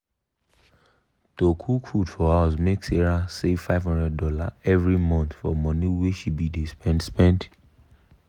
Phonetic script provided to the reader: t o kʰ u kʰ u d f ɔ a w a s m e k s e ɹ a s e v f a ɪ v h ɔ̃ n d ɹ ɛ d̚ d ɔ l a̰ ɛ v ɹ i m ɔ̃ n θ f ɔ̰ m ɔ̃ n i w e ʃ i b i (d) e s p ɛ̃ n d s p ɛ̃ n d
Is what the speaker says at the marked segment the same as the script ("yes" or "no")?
yes